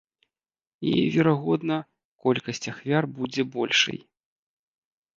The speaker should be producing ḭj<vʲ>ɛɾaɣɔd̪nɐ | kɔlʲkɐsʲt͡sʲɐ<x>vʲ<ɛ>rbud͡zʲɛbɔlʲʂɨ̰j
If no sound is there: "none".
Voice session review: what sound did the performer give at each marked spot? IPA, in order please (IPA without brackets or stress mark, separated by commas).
vʲ, x, a